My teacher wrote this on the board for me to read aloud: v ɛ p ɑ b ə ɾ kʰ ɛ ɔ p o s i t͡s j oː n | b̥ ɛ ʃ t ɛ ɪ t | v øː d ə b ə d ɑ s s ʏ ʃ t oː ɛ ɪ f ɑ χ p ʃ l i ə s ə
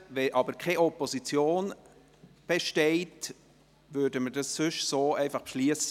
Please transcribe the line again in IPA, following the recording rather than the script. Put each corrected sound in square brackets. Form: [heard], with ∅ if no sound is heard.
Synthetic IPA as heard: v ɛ [ʔ] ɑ b ə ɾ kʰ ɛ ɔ p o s i t͡s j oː n | b̥ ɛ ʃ t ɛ ɪ t | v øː d ə [m] ə d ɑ s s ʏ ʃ [s] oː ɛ ɪ f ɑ χ p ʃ l i ə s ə